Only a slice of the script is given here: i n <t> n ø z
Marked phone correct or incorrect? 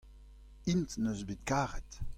correct